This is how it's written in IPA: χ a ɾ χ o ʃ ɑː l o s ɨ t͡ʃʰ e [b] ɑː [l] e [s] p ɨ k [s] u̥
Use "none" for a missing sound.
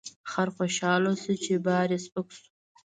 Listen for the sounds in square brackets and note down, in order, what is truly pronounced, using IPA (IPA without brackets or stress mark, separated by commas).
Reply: b, ɾ, s, s